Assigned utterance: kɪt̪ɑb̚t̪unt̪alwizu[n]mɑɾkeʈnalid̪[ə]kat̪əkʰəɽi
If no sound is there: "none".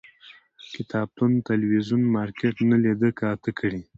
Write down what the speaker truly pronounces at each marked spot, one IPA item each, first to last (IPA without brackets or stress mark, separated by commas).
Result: n, ə